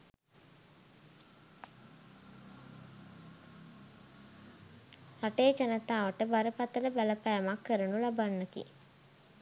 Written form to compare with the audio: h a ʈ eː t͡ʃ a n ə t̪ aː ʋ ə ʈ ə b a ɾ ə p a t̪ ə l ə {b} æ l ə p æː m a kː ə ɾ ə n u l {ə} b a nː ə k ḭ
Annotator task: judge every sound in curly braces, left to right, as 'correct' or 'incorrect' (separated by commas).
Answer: correct, incorrect